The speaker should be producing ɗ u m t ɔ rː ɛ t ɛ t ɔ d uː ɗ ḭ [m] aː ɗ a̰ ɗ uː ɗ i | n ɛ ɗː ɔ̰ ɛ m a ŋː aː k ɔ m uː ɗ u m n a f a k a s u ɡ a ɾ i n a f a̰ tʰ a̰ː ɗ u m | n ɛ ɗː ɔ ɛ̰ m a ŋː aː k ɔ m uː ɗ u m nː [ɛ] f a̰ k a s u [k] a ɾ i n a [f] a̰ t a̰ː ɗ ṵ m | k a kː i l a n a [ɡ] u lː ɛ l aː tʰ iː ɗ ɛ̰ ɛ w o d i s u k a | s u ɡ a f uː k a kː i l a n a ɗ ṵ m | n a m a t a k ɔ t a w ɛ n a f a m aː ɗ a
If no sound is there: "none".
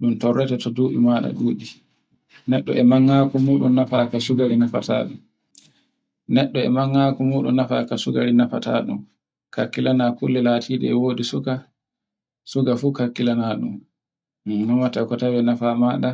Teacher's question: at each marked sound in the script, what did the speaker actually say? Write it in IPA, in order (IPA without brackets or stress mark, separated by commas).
m, a, ɡ, f, k